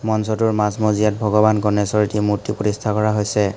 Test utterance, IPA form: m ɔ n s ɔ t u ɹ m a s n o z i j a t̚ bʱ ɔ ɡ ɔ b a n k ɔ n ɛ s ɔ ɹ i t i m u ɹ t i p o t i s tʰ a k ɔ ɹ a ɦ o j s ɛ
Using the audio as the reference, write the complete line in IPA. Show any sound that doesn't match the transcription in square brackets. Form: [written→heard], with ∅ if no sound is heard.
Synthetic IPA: m ɔ n s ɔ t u ɹ m a s [n→m] o z i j a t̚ bʱ ɔ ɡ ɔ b a n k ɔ n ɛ s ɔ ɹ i t i m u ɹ t i p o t i s tʰ a k ɔ ɹ a ɦ o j s ɛ